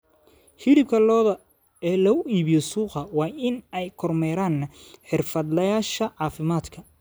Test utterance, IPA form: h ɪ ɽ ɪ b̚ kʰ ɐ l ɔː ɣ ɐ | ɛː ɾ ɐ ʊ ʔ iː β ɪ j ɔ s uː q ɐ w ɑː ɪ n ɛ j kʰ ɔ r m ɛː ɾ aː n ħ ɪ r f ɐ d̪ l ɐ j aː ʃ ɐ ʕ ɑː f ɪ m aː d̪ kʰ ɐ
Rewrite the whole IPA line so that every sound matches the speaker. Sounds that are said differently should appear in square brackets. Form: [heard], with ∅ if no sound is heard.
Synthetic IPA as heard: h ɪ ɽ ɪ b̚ kʰ ɐ l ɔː [ð] ɐ | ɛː [l] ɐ ʊ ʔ iː β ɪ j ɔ s uː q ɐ w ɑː ɪ n ɛ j kʰ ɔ r m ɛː ɾ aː n ħ ɪ r f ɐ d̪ l ɐ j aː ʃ ɐ ʕ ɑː f ɪ m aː d̪ kʰ ɐ